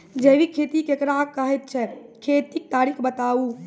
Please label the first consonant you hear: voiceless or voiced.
voiced